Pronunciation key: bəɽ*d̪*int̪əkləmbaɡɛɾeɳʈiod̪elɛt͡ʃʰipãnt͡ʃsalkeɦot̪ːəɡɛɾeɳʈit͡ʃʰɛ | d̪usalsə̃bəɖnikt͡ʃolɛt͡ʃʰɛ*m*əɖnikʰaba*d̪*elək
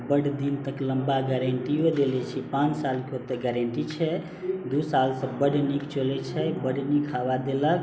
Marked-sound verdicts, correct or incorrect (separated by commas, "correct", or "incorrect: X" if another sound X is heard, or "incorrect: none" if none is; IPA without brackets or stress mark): correct, incorrect: b, correct